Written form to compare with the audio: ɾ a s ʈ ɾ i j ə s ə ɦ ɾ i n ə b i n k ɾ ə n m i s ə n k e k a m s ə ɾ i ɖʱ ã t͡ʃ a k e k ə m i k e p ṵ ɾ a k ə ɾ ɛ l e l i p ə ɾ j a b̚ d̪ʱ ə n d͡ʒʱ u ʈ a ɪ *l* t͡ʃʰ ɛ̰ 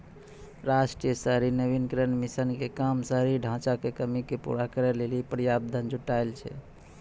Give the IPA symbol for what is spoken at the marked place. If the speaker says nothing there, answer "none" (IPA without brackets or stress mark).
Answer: l